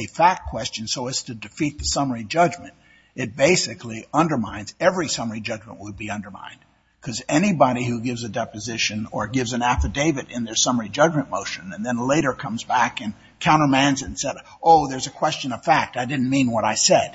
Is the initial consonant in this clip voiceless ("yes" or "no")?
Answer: yes